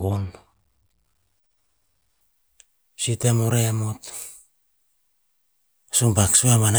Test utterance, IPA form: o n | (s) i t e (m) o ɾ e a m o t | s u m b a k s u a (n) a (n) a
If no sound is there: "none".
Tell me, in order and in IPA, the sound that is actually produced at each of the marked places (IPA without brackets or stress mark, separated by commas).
s, m, m, n